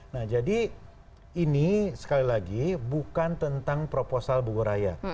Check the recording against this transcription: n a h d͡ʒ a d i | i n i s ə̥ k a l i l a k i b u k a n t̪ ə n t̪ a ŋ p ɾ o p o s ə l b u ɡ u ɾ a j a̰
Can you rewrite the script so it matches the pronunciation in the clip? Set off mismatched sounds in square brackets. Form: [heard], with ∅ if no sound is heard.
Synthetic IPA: n a h d͡ʒ a d i | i n i s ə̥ k a l i l a [ɡ] i b u k a n t̪ ə n t̪ a ŋ p ɾ o p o s [a] l b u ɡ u ɾ a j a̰